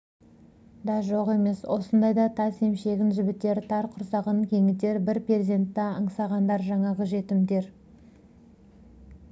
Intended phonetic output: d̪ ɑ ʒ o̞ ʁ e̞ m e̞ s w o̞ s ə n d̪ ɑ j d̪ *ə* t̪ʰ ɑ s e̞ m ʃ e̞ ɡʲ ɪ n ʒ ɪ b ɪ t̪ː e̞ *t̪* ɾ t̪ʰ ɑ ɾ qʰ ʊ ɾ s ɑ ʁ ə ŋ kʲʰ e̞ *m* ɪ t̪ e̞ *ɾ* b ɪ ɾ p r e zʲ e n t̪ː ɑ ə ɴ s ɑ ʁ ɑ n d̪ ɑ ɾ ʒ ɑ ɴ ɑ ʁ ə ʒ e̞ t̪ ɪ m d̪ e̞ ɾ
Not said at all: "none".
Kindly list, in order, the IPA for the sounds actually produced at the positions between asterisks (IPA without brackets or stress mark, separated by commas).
ɑ, none, ŋ, ɾ